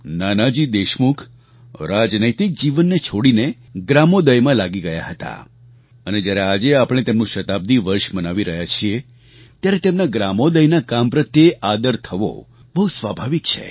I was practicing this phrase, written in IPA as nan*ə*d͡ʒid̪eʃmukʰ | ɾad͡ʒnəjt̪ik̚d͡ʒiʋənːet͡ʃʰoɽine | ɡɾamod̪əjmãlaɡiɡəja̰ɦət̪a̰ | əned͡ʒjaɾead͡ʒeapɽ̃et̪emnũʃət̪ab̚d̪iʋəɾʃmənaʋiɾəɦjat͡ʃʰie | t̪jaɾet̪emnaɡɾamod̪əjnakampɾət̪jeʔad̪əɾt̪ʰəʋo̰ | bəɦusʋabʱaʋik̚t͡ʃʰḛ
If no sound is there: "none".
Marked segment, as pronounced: a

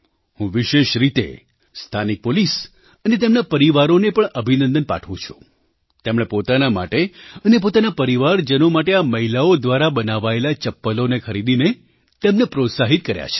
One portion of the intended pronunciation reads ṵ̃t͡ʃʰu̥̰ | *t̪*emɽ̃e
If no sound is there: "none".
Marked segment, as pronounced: t̪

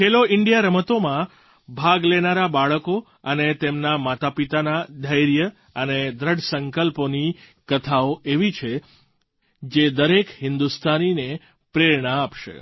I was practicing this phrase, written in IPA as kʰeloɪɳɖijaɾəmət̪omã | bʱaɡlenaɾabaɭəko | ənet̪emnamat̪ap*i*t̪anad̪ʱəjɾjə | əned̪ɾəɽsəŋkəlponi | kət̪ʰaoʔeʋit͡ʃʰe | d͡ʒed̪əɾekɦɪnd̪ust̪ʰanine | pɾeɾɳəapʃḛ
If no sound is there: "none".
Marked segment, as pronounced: i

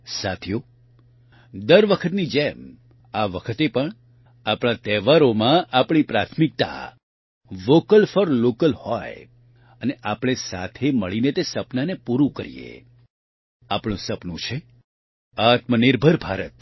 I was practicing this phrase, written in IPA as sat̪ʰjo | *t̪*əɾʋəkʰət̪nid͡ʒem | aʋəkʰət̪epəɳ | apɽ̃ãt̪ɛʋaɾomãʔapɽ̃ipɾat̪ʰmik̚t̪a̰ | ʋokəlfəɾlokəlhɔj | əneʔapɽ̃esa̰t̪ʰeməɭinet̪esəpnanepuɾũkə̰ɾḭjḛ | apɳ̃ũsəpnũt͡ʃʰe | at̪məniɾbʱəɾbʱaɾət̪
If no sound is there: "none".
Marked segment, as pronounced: d̪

